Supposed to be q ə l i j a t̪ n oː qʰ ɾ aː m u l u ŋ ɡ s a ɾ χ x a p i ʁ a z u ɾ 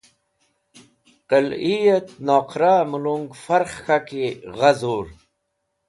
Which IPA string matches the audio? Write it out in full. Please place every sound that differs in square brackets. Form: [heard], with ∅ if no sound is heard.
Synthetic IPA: q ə l i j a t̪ n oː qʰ ɾ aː m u l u ŋ ɡ [f] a ɾ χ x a [k] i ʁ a z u ɾ